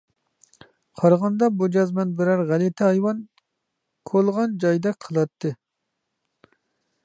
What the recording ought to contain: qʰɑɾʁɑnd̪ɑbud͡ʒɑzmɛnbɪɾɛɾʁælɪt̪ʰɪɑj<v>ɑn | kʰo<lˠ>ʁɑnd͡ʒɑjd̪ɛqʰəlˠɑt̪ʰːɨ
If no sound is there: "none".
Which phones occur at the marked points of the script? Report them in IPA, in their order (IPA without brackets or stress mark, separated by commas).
w, lˠ